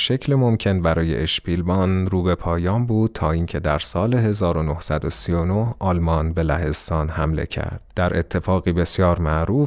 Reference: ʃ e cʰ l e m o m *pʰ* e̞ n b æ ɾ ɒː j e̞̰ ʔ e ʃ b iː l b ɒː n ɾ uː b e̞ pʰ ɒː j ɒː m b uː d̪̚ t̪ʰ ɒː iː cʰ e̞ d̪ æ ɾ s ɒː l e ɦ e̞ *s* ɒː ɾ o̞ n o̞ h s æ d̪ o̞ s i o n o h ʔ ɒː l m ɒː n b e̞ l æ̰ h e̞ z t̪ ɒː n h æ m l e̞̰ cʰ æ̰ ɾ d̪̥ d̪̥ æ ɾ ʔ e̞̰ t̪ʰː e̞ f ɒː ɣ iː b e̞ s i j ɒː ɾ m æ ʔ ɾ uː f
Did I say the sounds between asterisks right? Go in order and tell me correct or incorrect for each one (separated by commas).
incorrect, incorrect